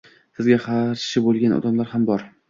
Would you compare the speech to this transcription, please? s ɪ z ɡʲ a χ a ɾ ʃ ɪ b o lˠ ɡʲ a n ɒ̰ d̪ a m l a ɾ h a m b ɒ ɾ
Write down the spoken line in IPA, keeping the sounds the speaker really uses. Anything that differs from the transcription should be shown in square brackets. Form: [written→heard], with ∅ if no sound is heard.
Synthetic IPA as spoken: s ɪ z ɡʲ a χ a ɾ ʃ ɪ b o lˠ ɡʲ a n ɒ̰ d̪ a m l a ɾ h a m b ɒ ɾ